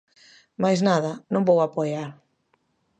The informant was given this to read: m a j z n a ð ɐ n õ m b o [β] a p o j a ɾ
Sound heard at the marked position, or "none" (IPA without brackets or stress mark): w